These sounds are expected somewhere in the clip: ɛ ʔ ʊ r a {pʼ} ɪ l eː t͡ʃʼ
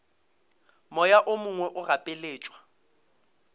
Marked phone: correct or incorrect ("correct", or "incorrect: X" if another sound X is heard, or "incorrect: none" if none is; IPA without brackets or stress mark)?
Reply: correct